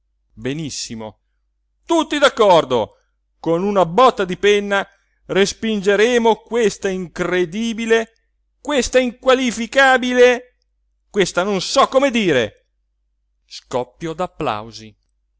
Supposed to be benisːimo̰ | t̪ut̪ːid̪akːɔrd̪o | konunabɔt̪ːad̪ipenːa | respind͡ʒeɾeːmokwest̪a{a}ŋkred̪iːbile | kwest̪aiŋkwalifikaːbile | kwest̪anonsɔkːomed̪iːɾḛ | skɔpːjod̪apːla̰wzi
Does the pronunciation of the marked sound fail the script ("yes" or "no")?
yes